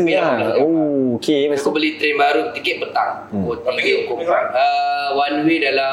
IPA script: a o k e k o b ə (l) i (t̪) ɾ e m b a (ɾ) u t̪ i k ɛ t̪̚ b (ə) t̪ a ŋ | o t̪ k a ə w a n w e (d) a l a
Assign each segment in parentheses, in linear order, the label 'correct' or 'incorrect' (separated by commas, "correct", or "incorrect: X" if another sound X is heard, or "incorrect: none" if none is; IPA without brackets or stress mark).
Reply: correct, correct, correct, correct, correct